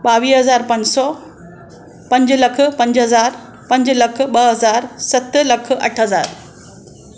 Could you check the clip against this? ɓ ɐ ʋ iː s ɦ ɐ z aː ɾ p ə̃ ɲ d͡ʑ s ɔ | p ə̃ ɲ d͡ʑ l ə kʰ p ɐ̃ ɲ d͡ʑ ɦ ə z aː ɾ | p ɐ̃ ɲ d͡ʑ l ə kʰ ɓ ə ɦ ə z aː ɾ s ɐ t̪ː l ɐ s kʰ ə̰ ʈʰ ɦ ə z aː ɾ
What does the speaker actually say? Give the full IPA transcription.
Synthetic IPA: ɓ a ʋ iː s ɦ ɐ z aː ɾ p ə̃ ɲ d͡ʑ s ɔ | p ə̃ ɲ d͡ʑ l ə kʰ p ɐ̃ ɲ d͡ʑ ɦ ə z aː ɾ | p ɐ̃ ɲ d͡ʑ l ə kʰ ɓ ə ɦ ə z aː ɾ s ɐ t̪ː l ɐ kʰ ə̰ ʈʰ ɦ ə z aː ɾ